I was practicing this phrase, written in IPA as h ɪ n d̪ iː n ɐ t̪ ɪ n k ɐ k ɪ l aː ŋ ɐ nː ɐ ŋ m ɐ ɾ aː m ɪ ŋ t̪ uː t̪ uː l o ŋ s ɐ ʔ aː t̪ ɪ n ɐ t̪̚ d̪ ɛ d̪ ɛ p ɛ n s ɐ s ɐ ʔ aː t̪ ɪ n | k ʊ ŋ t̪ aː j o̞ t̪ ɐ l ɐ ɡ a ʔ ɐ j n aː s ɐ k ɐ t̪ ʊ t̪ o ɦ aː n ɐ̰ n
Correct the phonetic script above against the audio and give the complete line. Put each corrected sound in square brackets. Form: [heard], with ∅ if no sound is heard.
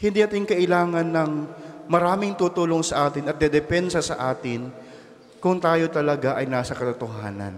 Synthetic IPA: h ɪ n d̪ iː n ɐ t̪ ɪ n k ɐ [ʔ] ɪ l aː ŋ ɐ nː ɐ ŋ m ɐ ɾ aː m ɪ ŋ t̪ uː t̪ uː l o ŋ s ɐ ʔ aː t̪ ɪ n ɐ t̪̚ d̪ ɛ d̪ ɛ p ɛ n s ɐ s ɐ ʔ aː t̪ ɪ n | k ʊ ŋ t̪ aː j o̞ t̪ ɐ l ɐ ɡ a ʔ ɐ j n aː s ɐ k ɐ t̪ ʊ t̪ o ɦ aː n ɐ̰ n

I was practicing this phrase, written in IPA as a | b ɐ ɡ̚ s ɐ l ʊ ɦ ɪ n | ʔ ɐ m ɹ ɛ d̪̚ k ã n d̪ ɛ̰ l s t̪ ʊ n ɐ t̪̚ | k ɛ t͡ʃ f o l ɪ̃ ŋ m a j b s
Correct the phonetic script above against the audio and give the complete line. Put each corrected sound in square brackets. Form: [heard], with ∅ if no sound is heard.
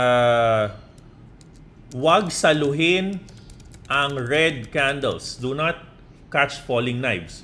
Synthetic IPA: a | [w] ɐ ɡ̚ s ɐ l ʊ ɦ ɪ n | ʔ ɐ [ŋ] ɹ ɛ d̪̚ k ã n d̪ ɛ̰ l s [d̪] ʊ n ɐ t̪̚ | k [a] t͡ʃ f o l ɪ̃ ŋ [n] a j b s

